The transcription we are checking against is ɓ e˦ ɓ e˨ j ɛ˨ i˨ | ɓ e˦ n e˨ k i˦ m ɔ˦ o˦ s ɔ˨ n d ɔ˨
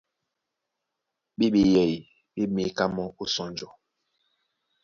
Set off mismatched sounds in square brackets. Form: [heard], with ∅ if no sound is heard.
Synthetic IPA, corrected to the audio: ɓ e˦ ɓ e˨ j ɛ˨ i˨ | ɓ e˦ [m] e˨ k [a˦] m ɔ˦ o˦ s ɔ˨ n [d͡ʒ] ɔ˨